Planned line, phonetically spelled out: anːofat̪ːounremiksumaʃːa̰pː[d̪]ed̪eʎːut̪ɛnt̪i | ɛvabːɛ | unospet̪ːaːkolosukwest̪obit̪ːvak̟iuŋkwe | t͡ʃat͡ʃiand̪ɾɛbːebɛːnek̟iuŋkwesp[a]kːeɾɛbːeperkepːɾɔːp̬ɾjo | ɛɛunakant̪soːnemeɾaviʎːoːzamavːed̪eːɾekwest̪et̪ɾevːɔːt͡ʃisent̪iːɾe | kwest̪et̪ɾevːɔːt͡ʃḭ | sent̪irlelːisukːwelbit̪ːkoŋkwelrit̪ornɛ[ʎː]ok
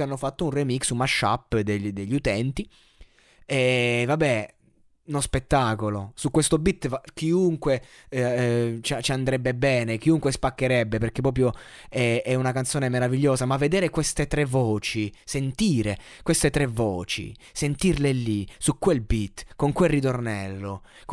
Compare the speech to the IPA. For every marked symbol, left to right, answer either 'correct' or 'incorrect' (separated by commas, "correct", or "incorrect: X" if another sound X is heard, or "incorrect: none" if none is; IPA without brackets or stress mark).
correct, correct, incorrect: lː